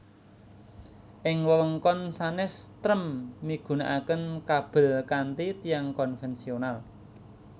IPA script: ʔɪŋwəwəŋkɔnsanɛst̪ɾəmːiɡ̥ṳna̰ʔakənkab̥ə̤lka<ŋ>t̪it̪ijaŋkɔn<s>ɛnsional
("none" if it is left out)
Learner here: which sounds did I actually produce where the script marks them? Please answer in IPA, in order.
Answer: n, f

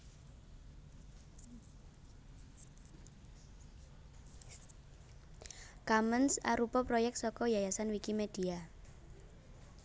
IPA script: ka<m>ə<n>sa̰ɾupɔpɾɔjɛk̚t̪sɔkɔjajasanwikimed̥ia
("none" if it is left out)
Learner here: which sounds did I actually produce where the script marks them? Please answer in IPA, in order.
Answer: m, n

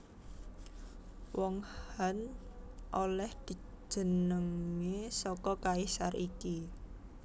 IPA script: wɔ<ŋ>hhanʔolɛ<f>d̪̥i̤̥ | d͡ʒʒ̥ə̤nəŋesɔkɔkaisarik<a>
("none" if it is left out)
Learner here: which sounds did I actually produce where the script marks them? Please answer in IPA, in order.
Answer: ŋ, h, i

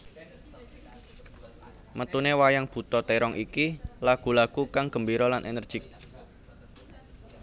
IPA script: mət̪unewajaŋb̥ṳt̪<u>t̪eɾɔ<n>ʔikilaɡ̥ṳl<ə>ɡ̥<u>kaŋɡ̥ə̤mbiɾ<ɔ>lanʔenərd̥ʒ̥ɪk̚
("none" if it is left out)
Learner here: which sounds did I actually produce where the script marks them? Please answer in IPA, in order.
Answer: ɔ, ŋ, a, u, ɔ

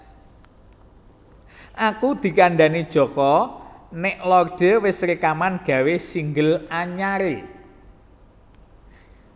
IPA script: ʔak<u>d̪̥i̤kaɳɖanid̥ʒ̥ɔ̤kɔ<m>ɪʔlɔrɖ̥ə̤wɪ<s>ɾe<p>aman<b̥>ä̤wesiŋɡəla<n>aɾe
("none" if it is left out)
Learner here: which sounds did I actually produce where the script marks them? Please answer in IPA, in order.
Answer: u, n, s, k, ɡ̥, ɲ

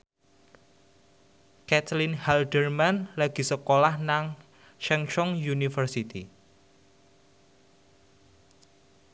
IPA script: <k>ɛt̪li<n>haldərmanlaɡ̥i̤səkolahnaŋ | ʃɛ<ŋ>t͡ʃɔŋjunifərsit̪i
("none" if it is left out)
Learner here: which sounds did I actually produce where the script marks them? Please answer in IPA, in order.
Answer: k, n, ŋ

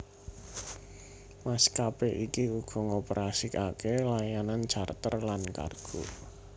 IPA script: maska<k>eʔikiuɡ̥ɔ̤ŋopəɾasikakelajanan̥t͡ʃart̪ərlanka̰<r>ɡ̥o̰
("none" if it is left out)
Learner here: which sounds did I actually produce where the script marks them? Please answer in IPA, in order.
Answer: p, r

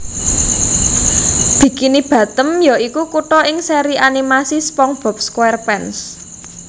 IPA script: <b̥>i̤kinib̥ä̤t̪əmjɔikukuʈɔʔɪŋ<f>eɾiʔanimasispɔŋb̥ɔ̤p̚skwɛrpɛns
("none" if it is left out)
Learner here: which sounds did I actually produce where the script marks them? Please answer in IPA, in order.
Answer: b̥, s

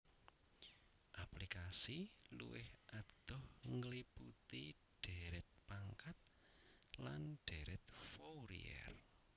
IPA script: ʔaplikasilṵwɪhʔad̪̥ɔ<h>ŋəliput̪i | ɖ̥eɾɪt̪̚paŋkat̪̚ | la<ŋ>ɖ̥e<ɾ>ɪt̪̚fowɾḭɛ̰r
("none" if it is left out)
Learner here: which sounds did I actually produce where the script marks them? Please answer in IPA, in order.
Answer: h, n, ɾ

